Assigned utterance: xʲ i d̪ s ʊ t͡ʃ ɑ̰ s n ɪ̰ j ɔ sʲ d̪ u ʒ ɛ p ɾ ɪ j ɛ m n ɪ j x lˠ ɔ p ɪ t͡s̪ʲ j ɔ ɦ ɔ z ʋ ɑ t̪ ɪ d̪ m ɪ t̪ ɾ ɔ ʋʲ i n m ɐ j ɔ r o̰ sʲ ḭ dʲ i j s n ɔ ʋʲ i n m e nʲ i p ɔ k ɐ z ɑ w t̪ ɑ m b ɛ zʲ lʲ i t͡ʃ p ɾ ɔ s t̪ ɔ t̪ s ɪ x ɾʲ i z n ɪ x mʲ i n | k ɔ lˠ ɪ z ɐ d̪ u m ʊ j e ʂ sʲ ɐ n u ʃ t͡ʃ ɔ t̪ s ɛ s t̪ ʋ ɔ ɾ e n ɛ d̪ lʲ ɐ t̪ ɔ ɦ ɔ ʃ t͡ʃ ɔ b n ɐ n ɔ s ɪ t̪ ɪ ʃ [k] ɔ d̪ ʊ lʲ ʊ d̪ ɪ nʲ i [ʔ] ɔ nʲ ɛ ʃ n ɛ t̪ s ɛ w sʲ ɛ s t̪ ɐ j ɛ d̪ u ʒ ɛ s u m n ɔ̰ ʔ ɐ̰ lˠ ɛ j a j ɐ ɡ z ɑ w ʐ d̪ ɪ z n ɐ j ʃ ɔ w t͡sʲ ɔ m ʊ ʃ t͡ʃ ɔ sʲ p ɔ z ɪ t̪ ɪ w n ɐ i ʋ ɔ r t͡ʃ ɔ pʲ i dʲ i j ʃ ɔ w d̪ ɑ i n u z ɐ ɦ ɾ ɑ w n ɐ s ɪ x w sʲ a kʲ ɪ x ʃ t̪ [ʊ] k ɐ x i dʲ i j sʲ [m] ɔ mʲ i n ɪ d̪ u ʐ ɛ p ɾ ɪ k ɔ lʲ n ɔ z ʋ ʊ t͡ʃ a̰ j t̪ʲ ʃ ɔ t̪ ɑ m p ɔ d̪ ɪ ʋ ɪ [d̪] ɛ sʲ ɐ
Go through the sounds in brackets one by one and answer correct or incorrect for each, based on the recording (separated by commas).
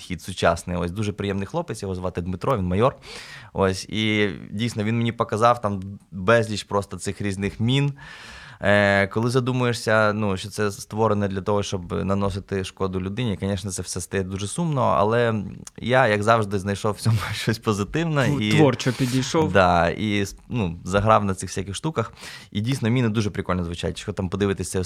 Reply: correct, incorrect, incorrect, incorrect, incorrect